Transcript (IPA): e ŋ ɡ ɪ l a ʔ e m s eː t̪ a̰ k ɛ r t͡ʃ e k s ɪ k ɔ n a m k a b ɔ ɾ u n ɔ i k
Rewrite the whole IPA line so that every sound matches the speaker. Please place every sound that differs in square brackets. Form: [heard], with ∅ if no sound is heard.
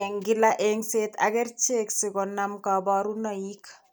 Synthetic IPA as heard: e ŋ ɡ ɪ l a ʔ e [ŋ] s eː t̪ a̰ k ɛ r t͡ʃ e k s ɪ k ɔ n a m k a b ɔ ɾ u n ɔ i k